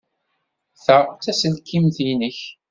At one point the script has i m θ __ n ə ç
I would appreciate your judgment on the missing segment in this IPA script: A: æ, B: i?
B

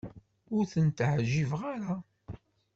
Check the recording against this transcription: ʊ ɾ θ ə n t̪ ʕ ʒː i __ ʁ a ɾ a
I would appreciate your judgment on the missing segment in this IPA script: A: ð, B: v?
B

